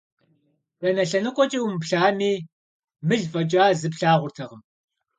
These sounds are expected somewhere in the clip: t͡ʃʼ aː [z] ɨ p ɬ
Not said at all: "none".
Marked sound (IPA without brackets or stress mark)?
z